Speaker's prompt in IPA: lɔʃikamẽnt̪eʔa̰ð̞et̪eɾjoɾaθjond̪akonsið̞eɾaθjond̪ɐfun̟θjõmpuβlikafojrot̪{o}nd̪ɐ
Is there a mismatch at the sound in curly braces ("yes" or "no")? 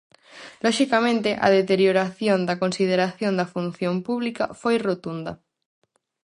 yes